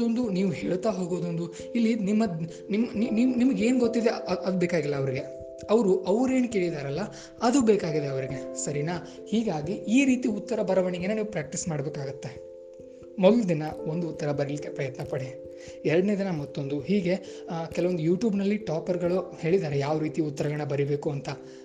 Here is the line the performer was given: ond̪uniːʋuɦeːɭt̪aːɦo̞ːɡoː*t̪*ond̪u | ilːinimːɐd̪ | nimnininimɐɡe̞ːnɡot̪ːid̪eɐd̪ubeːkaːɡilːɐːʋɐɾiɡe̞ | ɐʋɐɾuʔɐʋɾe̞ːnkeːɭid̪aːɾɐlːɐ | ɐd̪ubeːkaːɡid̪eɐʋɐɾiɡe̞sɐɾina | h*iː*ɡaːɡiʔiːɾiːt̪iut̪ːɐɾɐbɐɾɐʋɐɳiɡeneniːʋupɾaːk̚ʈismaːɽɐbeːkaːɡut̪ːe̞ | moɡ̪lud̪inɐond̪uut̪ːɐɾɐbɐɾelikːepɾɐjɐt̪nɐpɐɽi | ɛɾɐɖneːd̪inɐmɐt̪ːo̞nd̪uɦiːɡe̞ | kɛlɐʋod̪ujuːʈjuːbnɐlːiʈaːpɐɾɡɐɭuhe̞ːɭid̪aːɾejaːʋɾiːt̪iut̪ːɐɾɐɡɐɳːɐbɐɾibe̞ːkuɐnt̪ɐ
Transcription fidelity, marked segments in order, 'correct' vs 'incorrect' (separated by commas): incorrect, correct